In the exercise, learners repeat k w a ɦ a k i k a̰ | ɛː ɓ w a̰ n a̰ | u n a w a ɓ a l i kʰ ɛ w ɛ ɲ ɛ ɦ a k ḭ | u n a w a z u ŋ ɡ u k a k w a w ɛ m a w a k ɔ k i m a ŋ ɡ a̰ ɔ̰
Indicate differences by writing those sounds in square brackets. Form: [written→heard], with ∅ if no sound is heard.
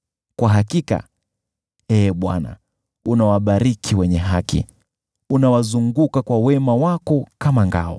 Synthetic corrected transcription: k w a ɦ a k i k a̰ | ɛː ɓ w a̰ n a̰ | u n a w a ɓ a [l→ɾ] i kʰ [ɛ→i] w ɛ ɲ ɛ ɦ a k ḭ | u n a w a z u ŋ ɡ u k a k w a w ɛ m a w a k ɔ k [i→a] m a ŋ ɡ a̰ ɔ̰